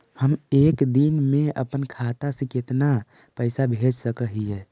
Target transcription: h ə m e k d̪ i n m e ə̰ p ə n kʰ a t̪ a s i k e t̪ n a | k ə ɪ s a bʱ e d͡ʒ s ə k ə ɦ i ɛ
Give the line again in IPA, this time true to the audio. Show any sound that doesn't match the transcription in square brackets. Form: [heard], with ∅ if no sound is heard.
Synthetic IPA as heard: h ə m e k d̪ i n m e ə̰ p ə n kʰ a t̪ a s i k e t̪ n a | [p] ə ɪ s a bʱ e d͡ʒ s ə k ə ɦ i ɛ